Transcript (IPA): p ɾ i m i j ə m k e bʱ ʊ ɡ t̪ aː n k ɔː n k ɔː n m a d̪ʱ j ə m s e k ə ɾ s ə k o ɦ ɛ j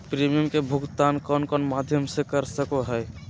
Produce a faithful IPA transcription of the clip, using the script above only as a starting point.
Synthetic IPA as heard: p ɾ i m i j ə m k e bʱ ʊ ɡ t̪ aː n k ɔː n k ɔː n m a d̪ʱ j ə m s e k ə ɾ s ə k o ɦ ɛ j

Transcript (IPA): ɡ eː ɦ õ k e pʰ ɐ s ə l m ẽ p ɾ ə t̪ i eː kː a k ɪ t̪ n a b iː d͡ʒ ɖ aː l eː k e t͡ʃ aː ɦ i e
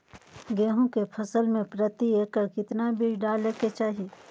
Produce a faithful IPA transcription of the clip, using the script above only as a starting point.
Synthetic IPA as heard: ɡ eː ɦ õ k e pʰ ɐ s ə l m ẽ p ɾ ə t̪ i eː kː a k ɪ t̪ n a b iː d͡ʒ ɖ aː l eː k e t͡ʃ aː ɦ i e

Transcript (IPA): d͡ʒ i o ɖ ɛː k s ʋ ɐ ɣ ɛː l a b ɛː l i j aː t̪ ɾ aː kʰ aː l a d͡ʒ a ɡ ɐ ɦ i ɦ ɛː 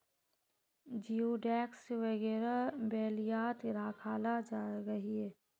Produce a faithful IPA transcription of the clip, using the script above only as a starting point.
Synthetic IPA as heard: d͡ʒ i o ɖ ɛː k s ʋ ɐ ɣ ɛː ɾ a b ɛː l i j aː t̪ ɾ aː kʰ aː l a d͡ʒ a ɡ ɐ ɦ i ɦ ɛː

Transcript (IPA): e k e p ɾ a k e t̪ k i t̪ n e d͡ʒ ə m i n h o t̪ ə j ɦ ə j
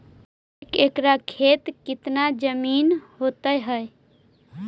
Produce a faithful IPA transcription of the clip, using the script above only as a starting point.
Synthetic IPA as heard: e k e k ɾ a kʰ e t̪ k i t̪ n a d͡ʒ ə m i n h o t̪ ə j ɦ ə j

